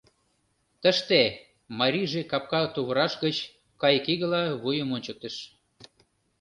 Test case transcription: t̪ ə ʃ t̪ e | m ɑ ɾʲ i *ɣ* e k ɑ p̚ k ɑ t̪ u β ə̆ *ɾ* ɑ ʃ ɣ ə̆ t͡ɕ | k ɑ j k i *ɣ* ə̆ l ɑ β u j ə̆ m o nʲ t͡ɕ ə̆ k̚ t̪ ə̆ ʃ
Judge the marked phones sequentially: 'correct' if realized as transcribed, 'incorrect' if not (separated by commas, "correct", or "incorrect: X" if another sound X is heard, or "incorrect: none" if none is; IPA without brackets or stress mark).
incorrect: ʒ, correct, correct